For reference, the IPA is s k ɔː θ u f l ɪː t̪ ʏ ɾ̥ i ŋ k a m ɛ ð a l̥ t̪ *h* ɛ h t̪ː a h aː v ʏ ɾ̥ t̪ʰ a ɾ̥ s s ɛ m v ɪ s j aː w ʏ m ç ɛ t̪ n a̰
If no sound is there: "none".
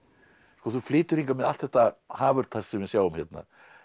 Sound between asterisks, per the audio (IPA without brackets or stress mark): θ